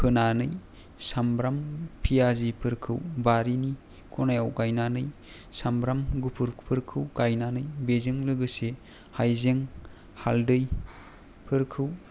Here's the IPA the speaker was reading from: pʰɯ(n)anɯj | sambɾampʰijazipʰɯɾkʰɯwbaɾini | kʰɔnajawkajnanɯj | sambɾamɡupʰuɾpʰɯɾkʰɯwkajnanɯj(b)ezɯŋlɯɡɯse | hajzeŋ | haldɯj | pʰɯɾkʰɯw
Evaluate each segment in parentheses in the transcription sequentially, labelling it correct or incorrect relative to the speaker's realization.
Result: correct, correct

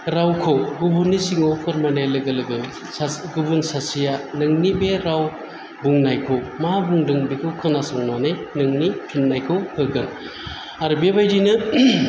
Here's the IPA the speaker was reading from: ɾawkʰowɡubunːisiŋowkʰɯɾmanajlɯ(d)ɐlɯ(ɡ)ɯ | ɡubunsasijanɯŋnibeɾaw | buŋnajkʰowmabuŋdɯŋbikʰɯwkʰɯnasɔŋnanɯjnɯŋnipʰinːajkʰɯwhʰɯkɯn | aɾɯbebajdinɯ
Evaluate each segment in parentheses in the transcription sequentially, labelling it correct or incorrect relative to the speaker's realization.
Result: incorrect, correct

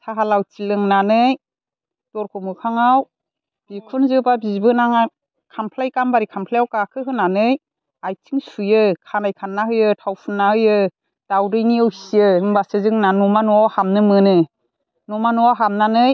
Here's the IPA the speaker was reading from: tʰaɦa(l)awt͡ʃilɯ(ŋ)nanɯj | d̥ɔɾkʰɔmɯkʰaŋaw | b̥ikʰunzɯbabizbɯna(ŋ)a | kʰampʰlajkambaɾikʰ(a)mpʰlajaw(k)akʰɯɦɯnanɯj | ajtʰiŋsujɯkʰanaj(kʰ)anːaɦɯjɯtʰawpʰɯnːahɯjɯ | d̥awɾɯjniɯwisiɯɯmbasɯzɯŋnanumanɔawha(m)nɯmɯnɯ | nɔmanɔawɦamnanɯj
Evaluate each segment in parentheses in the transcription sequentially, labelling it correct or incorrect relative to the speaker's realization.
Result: correct, correct, correct, correct, correct, correct, correct

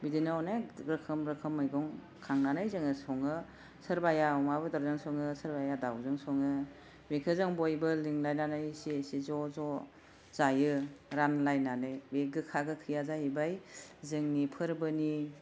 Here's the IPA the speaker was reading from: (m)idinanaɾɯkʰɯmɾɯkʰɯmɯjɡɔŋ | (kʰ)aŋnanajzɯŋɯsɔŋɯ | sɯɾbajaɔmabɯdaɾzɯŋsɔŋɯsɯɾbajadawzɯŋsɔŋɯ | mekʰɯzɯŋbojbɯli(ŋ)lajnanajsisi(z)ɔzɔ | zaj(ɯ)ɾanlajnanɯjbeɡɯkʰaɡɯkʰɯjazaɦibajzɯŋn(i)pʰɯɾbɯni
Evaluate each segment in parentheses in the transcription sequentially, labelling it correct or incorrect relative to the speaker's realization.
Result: incorrect, correct, correct, correct, correct, correct

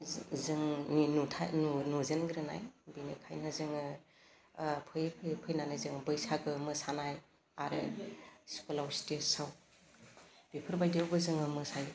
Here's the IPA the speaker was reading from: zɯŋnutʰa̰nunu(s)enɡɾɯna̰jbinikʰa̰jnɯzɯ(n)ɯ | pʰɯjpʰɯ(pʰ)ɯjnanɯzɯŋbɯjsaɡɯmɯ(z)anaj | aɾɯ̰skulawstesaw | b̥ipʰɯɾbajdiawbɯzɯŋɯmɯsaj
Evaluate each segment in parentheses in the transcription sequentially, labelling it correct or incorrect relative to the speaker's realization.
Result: incorrect, incorrect, correct, incorrect

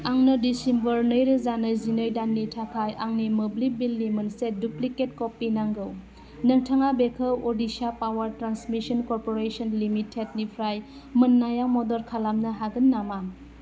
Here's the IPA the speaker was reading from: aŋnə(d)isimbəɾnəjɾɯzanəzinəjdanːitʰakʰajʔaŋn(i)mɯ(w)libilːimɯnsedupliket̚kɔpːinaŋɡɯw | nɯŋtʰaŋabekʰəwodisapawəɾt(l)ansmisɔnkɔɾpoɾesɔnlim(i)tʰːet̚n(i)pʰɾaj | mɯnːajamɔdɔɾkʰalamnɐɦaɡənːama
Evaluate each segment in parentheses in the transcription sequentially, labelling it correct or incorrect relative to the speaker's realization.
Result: correct, correct, incorrect, incorrect, correct, correct

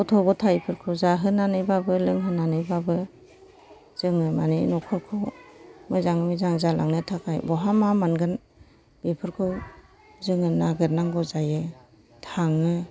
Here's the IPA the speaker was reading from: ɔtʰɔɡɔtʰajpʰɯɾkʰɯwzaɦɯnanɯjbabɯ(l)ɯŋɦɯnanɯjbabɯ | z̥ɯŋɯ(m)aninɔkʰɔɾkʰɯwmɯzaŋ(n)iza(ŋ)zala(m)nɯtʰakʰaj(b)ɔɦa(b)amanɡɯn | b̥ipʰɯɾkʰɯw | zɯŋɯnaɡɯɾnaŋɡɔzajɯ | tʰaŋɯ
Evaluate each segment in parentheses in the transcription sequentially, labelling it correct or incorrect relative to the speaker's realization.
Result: correct, correct, incorrect, correct, incorrect, correct, incorrect

